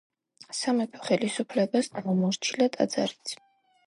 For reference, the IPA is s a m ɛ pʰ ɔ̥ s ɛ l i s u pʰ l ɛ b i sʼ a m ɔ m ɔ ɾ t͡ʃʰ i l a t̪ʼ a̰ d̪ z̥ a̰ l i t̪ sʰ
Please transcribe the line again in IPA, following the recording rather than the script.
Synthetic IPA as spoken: s a m ɛ pʰ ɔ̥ χ ɛ l i s u pʰ l ɛ b a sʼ a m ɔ m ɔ ɾ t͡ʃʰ i l a t̪ʼ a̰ d̪ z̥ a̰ ɾ i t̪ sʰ

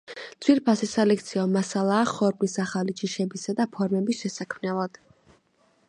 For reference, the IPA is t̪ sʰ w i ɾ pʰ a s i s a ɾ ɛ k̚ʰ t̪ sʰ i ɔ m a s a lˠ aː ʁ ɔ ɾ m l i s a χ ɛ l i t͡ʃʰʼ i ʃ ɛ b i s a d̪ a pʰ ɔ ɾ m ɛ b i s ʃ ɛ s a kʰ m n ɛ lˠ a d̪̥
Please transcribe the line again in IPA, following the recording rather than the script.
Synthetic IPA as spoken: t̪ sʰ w i ɾ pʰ a s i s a l ɛ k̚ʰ t̪ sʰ i ɔ m a s a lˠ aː χ ɔ ɾ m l i s a χ a l i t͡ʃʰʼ i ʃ ɛ b i s a d̪ a pʰ ɔ ɾ m ɛ b i s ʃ ɛ s a kʰ m n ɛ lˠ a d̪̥

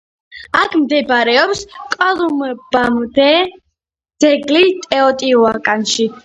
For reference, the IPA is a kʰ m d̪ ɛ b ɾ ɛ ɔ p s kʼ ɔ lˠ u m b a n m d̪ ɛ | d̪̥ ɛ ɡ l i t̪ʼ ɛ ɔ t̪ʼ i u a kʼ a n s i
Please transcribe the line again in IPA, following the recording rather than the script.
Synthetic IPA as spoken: a kʰ m d̪ ɛ b ɾ ɛ ɔ p s kʼ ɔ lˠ u m b a m d̪ ɛ | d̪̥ ɛ ɡ l i t̪ʼ ɛ ɔ t̪ʼ i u a kʼ a n ʃ i

